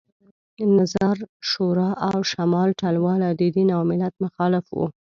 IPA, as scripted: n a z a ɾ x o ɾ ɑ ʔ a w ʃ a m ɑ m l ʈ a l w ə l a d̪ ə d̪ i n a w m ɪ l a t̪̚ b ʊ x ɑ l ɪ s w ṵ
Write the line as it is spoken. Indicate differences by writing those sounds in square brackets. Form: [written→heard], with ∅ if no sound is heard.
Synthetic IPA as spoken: n a z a ɾ [x→ʃ] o ɾ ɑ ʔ a w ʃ a m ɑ [m→∅] l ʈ a l w [ə→ɑ] l a d̪ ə d̪ i n a w m ɪ l a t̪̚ [b→m] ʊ x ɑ l ɪ [s→f] w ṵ